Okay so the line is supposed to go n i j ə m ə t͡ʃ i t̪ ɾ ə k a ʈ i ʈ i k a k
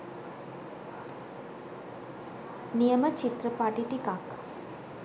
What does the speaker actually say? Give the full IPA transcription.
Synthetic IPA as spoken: n i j ə m ə t͡ʃ i t̪ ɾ ə p a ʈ i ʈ i k a k